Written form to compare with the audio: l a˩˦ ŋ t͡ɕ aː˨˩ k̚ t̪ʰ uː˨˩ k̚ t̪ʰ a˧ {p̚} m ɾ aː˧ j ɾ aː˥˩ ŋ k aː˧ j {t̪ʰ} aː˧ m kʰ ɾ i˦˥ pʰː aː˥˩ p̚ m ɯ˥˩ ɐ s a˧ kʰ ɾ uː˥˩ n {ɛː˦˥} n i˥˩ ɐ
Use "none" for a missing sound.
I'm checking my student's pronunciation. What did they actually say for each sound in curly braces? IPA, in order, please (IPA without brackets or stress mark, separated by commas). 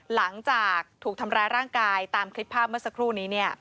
none, t̪, iː˦˥